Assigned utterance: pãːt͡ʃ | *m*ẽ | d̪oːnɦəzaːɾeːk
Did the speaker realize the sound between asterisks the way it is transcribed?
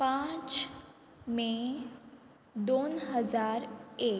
yes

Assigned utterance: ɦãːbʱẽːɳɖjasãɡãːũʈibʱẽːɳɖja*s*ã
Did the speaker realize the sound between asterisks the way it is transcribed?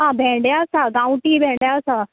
yes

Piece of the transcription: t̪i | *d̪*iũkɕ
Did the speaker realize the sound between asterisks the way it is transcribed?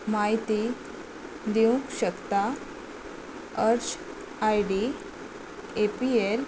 yes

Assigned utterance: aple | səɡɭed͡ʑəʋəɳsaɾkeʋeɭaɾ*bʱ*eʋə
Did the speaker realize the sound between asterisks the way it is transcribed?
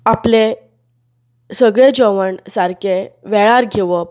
no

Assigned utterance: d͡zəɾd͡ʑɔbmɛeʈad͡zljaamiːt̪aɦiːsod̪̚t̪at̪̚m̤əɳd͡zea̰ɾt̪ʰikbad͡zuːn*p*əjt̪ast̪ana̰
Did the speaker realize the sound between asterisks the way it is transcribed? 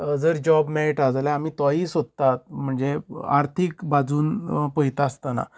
yes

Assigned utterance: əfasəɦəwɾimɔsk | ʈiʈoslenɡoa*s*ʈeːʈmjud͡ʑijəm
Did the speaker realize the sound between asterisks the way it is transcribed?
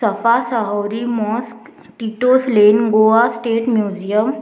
yes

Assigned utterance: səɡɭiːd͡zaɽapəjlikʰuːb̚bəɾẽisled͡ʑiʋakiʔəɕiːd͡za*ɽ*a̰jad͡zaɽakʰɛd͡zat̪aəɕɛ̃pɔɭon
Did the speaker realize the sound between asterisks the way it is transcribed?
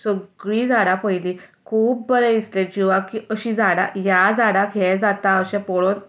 yes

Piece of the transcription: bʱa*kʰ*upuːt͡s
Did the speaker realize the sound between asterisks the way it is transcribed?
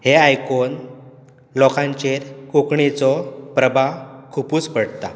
yes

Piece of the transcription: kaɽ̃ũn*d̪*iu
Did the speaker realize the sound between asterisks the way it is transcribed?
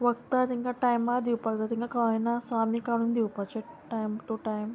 yes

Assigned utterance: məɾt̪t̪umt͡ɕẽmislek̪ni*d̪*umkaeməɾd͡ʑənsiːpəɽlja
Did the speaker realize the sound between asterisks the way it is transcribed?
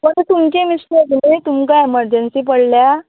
no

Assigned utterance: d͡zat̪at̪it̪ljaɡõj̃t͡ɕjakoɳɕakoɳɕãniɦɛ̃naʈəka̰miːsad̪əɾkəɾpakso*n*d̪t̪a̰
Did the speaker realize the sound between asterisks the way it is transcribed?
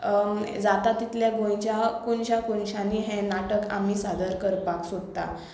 no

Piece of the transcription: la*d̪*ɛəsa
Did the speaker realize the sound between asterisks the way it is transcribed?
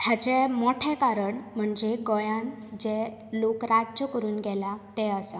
no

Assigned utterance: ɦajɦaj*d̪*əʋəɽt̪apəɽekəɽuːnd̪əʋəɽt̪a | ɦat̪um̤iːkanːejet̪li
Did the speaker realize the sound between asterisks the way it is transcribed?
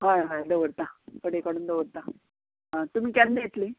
yes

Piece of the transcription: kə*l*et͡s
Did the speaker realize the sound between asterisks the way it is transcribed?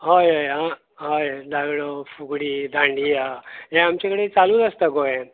no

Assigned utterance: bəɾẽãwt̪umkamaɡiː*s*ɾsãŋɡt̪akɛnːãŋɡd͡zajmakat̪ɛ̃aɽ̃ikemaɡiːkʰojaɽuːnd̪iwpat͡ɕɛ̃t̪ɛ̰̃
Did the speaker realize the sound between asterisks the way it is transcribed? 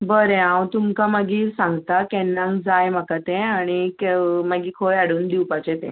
no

